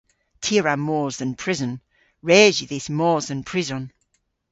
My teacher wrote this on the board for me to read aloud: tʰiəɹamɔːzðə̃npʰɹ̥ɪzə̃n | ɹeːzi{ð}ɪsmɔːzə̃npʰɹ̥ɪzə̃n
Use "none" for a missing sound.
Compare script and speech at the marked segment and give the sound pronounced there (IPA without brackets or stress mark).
ð